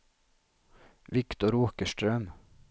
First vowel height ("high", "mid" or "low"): high